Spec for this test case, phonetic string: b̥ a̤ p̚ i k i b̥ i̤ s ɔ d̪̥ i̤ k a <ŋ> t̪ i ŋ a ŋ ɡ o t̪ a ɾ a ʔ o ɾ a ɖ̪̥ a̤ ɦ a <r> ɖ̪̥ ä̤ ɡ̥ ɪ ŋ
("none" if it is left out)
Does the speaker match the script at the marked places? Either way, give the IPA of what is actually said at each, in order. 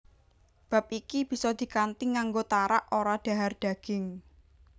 n, r

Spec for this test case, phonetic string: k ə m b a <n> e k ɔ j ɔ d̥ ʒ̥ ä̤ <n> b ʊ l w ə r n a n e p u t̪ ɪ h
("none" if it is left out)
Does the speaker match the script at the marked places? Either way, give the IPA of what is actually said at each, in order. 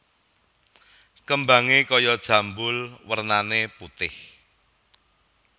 ŋ, m

